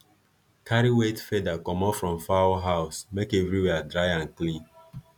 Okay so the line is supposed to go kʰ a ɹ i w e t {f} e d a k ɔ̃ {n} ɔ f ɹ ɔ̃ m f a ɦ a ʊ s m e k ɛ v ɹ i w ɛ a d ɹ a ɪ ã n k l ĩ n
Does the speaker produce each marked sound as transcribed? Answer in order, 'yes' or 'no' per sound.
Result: yes, no

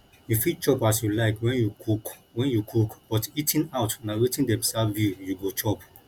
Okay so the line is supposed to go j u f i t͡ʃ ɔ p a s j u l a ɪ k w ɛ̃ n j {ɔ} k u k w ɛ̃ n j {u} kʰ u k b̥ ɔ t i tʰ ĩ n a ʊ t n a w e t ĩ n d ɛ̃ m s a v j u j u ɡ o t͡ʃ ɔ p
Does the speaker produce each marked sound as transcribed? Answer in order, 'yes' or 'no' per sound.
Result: no, yes

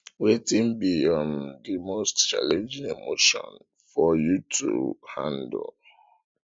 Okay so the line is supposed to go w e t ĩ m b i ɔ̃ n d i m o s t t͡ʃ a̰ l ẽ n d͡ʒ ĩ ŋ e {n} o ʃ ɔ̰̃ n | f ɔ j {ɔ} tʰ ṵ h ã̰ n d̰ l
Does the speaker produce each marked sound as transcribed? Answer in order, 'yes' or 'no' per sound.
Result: no, no

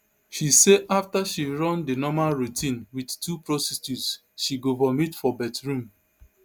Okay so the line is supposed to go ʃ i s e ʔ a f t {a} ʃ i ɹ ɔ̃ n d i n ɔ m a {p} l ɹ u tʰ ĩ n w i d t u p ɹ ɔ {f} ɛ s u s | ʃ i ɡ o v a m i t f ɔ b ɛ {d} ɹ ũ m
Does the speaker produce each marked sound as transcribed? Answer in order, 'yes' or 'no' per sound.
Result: yes, no, no, no

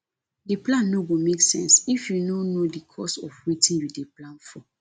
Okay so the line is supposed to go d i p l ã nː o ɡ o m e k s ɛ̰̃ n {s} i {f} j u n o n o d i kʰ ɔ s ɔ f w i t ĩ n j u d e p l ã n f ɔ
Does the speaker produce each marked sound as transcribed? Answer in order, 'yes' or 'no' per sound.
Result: yes, yes

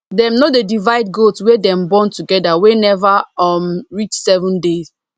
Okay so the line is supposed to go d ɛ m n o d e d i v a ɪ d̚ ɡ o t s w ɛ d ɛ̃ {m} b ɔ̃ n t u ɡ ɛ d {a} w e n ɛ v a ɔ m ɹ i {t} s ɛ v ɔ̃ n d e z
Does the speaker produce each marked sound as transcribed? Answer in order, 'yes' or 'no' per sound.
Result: yes, yes, no

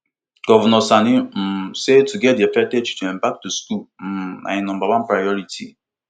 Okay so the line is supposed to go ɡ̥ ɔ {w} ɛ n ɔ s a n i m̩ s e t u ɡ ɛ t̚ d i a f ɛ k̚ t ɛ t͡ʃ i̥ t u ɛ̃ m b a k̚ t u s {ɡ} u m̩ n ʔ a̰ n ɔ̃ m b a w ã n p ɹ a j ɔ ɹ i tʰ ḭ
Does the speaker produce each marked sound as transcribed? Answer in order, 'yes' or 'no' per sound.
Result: no, no

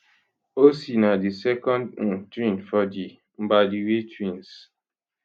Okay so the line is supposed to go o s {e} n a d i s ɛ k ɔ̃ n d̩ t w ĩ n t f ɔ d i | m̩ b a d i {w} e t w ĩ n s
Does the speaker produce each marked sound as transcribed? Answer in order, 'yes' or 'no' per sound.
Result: no, yes

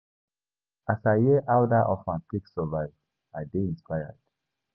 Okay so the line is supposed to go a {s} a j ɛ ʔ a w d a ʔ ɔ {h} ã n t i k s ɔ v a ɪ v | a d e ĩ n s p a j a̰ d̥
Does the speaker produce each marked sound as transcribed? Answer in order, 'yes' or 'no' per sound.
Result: yes, no

